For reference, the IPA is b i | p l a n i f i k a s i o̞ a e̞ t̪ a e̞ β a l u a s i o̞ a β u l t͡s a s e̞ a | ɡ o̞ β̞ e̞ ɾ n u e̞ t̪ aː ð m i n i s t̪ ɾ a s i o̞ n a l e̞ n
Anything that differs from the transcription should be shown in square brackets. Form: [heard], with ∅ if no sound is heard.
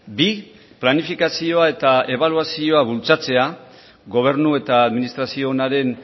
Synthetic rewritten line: b i | p l a n i f i k a s i o̞ a e̞ t̪ a e̞ β a l u a s i o̞ a β u l t͡s a [t͡s] e̞ a | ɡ o̞ β̞ e̞ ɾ n u e̞ t̪ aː ð m i n i s t̪ ɾ a s i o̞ n a [ɾ] e̞ n